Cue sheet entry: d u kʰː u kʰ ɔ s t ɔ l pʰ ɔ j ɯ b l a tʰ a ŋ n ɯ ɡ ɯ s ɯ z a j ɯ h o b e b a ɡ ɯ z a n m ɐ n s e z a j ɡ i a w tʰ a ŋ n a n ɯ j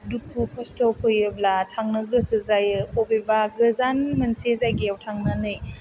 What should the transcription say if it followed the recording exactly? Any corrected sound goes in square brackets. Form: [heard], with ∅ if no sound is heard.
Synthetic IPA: d u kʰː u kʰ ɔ s t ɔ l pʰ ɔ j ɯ b l a tʰ a ŋ n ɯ ɡ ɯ s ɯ z a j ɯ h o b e b a ɡ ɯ z a n m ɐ n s e z a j ɡ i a w tʰ a ŋ n a n ɯ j